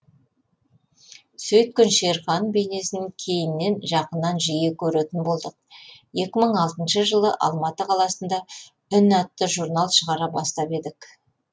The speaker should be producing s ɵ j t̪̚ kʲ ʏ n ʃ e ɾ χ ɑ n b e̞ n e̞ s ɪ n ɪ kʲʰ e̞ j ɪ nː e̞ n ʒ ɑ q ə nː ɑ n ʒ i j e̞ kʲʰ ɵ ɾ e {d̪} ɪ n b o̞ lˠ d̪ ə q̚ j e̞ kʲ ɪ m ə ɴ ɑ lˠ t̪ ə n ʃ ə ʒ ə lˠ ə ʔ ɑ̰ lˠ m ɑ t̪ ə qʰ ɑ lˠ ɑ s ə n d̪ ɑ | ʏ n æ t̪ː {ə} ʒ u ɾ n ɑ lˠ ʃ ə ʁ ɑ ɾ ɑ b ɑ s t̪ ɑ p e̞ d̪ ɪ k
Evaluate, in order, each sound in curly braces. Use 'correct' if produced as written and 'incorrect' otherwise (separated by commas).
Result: incorrect, correct